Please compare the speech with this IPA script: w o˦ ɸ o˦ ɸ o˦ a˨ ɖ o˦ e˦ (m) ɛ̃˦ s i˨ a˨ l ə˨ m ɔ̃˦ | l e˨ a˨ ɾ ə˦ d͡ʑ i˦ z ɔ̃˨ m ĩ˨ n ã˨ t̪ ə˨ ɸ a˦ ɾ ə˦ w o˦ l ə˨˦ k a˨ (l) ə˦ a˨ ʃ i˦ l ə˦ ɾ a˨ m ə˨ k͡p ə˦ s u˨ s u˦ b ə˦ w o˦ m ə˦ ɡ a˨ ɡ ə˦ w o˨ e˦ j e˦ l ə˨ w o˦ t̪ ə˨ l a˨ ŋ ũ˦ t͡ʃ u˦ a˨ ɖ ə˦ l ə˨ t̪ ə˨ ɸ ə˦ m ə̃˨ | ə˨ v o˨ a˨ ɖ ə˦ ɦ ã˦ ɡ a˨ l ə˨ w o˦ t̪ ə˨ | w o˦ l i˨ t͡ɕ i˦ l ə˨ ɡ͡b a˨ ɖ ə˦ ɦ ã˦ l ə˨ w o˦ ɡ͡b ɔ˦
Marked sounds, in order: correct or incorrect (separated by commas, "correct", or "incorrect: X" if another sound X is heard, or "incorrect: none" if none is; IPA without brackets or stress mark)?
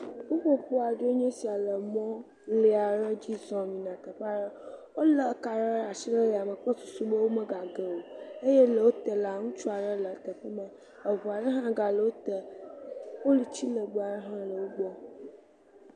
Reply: incorrect: ɲ, incorrect: ɾ